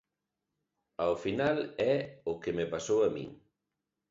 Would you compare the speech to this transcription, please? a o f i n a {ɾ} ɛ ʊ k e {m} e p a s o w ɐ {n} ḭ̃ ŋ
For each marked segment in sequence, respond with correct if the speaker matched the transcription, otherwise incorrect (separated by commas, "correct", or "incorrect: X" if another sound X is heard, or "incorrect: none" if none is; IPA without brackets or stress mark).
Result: incorrect: l, correct, incorrect: m